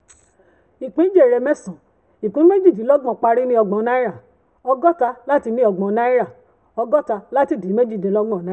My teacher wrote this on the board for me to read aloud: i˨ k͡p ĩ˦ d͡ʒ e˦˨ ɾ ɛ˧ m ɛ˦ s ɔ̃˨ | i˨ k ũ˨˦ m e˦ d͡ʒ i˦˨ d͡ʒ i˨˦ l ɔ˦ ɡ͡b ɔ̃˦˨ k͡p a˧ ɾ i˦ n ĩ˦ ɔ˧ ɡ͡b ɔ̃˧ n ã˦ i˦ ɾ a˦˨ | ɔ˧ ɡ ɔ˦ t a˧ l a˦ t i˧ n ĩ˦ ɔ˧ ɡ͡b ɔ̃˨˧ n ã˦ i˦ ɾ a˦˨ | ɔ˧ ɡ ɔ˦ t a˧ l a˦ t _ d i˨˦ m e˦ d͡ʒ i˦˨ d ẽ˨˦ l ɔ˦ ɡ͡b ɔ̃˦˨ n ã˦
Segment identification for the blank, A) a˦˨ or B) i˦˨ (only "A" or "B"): B